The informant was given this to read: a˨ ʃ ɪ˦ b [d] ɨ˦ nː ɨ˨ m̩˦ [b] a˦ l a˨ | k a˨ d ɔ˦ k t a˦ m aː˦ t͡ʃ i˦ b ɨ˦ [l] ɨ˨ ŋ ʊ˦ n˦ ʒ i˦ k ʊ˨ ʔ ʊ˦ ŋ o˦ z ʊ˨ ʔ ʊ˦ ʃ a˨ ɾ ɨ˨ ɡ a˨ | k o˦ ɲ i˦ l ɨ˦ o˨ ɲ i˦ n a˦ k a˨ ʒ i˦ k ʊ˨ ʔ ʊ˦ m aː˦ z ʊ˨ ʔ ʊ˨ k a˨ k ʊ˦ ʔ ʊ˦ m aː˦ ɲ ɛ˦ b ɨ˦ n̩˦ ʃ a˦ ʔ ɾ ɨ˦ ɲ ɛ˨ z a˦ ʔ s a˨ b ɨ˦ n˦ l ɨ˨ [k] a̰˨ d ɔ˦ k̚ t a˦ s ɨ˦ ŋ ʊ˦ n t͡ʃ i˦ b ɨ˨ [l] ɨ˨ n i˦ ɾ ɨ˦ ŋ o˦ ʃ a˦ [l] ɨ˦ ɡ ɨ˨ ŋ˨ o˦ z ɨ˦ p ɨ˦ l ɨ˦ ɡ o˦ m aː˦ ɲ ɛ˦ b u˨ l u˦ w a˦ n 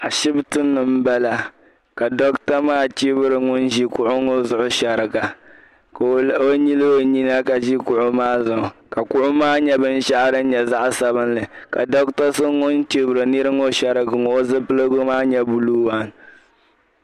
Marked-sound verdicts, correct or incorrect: incorrect, correct, incorrect, correct, incorrect, incorrect

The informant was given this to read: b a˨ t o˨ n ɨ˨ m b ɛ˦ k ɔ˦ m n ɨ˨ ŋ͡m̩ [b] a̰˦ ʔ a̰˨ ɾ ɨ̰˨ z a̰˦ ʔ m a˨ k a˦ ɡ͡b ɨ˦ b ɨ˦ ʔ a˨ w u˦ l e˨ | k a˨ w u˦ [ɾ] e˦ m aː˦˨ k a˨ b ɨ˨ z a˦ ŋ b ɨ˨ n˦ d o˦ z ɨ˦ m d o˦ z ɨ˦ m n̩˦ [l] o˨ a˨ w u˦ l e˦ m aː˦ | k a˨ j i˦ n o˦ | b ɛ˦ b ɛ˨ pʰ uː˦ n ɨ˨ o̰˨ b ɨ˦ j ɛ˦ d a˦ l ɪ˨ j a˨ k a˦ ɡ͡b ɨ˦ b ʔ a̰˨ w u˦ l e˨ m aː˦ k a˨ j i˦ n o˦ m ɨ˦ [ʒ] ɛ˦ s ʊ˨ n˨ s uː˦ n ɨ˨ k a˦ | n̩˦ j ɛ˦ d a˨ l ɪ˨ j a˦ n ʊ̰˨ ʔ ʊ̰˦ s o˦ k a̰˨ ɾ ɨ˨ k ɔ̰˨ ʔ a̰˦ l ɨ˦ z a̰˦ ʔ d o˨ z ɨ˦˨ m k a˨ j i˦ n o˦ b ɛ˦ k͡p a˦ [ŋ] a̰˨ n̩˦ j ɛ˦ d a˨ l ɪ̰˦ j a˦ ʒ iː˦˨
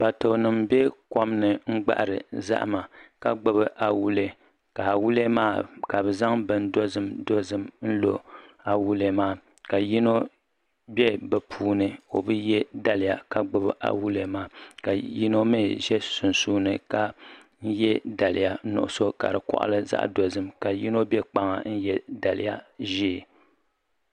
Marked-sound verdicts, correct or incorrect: incorrect, incorrect, correct, correct, correct

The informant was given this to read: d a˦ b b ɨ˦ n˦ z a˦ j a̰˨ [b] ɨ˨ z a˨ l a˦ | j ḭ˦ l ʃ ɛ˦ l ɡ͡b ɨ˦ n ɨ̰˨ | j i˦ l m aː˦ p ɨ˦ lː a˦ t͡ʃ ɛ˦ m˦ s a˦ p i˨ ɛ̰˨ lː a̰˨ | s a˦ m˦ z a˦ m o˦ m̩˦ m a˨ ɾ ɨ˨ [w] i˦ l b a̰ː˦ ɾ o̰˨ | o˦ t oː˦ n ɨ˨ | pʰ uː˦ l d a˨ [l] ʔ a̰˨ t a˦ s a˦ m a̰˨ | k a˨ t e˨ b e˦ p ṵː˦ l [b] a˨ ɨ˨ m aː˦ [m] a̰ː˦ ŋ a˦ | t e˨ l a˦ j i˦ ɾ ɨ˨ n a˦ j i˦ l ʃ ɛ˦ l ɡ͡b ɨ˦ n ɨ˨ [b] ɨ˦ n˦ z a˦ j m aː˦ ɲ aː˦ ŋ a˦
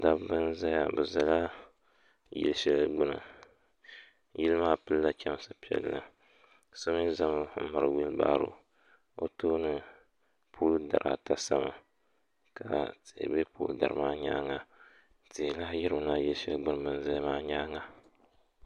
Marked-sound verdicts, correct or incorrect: correct, correct, incorrect, incorrect, incorrect, correct

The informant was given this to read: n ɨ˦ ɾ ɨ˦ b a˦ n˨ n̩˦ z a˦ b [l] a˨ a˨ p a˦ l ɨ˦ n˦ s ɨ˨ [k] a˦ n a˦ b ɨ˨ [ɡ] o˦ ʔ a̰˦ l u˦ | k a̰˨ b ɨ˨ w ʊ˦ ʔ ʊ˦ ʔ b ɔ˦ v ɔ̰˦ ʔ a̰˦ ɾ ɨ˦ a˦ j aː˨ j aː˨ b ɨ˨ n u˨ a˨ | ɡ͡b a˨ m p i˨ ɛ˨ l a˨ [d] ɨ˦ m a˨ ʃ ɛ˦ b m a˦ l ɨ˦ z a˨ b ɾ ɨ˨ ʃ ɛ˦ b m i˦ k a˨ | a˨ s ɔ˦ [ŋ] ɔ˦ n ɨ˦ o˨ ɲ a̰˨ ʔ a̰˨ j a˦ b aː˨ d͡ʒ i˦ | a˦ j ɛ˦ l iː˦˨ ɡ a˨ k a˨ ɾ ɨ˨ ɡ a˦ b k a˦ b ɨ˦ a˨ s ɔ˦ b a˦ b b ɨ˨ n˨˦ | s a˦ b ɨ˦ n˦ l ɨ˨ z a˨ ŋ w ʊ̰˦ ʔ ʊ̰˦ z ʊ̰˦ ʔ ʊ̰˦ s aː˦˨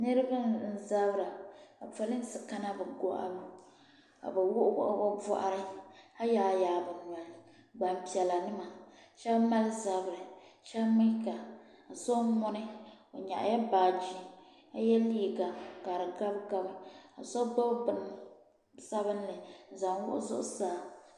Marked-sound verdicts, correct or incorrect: incorrect, correct, correct, incorrect, incorrect

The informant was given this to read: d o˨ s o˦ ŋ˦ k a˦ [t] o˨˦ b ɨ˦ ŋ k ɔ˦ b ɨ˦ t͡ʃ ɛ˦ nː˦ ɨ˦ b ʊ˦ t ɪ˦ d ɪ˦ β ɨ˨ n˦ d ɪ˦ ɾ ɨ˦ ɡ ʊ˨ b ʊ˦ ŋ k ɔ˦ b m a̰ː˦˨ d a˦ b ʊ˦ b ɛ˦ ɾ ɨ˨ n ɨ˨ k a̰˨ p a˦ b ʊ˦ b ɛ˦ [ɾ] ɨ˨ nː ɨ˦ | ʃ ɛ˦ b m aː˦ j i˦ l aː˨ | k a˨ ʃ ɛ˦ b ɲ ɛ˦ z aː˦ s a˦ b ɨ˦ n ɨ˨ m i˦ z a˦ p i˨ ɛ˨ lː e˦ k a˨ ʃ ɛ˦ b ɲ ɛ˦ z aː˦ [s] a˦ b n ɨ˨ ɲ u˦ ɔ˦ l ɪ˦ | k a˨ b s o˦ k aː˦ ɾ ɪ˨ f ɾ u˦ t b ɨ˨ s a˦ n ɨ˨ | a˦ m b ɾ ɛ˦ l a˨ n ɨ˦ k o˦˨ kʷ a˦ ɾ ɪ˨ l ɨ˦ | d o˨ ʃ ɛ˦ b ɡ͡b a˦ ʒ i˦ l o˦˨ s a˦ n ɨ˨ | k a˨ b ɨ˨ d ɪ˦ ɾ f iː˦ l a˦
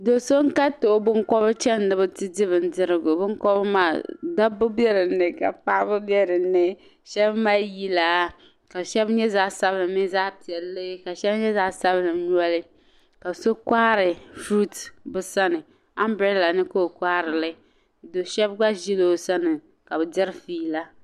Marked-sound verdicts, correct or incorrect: correct, correct, correct

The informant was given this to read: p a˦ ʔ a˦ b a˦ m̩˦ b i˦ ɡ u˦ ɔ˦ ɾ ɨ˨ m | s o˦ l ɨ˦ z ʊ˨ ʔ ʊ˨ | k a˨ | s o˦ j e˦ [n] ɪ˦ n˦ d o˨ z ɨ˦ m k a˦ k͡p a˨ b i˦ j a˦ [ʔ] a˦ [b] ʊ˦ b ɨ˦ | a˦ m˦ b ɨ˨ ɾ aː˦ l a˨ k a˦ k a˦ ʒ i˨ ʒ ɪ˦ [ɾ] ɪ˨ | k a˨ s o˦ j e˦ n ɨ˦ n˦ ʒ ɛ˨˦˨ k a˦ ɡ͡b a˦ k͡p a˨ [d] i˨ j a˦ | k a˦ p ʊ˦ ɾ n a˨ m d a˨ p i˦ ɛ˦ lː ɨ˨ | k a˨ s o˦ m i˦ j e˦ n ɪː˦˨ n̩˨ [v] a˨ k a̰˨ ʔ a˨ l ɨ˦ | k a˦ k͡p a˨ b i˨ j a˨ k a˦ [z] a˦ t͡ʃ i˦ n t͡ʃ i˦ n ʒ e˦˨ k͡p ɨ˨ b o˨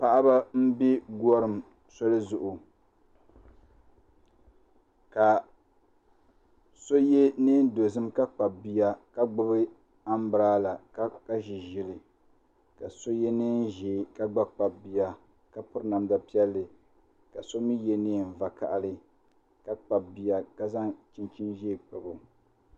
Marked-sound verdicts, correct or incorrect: correct, incorrect, incorrect, incorrect, incorrect, correct, correct

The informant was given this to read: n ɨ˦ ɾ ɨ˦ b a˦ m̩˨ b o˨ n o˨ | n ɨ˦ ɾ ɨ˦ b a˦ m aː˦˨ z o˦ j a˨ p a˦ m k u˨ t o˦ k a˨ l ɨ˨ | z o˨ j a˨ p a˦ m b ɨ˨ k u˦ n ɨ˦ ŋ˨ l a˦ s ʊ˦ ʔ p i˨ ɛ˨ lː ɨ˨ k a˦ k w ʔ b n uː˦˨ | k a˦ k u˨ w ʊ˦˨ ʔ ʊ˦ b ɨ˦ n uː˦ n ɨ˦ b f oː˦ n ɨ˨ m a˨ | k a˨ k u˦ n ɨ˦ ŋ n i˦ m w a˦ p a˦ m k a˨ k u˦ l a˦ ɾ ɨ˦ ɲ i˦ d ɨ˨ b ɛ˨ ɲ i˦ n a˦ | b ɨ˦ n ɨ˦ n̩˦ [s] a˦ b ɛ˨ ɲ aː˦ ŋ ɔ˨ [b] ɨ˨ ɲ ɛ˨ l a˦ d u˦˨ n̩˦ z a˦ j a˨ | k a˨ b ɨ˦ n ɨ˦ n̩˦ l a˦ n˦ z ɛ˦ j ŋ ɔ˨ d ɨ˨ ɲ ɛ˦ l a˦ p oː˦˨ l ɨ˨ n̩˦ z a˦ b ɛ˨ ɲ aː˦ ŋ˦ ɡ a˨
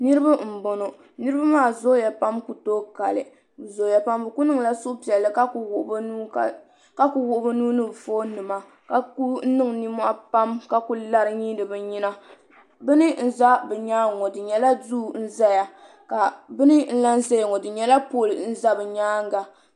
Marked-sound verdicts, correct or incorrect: incorrect, incorrect

